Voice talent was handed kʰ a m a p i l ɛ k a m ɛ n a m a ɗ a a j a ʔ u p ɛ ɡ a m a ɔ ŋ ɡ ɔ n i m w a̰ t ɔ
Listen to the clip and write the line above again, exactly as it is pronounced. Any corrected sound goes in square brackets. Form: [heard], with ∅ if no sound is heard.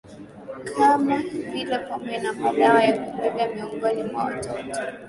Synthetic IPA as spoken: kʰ a m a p i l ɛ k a m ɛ n a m a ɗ a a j a [k] u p ɛ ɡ a m [i] ɔ ŋ ɡ ɔ n i m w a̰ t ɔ